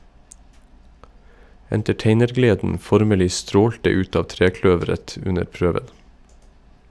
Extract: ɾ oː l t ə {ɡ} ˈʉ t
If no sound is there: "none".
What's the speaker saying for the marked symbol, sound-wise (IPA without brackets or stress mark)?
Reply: none